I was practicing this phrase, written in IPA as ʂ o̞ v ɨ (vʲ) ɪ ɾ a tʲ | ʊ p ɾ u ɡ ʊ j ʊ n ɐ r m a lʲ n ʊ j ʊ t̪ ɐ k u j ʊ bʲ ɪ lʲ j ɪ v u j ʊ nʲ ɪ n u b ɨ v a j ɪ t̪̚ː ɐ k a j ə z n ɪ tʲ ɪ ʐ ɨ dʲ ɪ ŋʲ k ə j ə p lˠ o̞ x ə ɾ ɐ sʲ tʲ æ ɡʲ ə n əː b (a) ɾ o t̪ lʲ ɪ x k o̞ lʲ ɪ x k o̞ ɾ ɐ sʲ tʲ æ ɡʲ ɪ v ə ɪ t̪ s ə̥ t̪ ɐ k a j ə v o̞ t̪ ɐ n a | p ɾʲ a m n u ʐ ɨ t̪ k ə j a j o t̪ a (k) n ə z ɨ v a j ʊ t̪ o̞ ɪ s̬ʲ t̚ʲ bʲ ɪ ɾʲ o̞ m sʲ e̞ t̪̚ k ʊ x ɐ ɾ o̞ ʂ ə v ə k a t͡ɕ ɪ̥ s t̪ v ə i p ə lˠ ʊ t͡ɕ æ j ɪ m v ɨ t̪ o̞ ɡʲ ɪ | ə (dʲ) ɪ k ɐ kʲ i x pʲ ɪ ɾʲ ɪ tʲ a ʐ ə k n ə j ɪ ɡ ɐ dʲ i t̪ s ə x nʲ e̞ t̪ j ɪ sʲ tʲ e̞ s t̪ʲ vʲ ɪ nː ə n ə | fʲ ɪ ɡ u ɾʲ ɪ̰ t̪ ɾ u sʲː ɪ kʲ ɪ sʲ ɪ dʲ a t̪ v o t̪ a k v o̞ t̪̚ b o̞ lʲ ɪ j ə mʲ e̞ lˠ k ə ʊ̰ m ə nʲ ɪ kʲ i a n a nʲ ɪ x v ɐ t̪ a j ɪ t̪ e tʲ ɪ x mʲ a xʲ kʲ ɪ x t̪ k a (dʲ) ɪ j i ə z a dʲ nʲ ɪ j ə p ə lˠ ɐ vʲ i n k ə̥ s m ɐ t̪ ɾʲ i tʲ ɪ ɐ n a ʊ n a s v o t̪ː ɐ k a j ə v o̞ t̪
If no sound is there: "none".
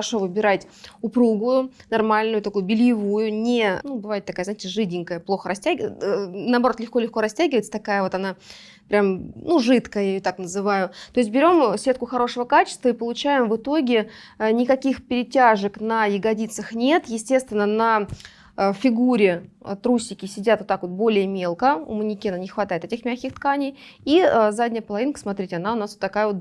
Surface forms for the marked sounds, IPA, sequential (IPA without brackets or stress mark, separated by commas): bʲ, ɐ, k, nʲ, nʲ